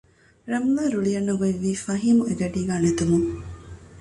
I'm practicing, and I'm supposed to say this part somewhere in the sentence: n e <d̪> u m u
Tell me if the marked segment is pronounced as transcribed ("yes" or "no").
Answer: no